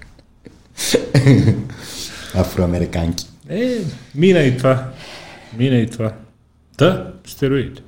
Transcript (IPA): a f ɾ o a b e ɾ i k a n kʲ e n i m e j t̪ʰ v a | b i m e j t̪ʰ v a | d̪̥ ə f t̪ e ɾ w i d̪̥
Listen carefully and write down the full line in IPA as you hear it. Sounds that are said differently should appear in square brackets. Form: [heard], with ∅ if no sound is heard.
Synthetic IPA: a f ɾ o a [m] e ɾ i k a n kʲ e [m] i [n] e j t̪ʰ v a | [m] i [n] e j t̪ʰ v a | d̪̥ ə [s] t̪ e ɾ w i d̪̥